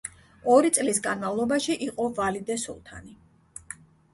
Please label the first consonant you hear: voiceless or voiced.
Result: voiced